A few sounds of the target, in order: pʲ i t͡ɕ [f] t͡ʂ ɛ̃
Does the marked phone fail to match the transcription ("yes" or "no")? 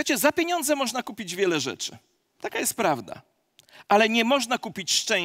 yes